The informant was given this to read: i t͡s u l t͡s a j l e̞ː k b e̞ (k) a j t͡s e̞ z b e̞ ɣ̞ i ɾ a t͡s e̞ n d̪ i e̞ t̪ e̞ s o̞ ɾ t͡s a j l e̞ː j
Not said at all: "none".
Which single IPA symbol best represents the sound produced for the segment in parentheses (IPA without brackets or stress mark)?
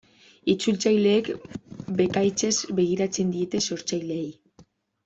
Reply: k